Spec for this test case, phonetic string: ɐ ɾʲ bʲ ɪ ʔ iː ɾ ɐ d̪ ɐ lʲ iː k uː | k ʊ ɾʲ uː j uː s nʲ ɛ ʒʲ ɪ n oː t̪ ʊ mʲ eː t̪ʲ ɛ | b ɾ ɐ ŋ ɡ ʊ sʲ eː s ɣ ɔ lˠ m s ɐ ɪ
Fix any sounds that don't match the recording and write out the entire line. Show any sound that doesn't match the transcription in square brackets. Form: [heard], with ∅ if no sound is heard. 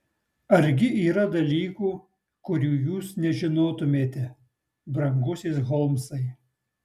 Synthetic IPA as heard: ɐ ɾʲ [ɡʲ] ɪ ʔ iː ɾ ɐ d̪ ɐ lʲ iː k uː | k ʊ ɾʲ uː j uː s nʲ ɛ ʒʲ ɪ n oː t̪ ʊ mʲ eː t̪ʲ ɛ | b ɾ ɐ ŋ ɡ ʊ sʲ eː s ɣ ɔ lˠ m s ɐ ɪ